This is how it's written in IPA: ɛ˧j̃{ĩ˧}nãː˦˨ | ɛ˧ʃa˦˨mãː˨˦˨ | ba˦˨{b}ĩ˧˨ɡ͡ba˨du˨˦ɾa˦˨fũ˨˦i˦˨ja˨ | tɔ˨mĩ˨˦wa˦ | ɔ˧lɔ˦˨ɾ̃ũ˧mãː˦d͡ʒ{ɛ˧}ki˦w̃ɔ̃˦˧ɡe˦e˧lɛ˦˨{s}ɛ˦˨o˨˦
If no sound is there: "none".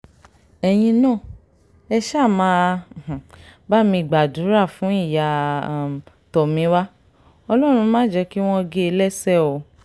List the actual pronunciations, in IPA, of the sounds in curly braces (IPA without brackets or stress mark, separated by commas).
ĩ˧, m, ɛ˧, s